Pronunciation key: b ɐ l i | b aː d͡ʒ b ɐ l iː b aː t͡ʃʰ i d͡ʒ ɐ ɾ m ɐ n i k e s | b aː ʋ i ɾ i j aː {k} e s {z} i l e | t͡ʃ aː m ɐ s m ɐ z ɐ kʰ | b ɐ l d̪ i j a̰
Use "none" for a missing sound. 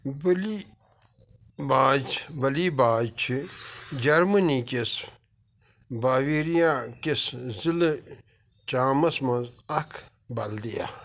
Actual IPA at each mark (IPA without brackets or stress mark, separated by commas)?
k, z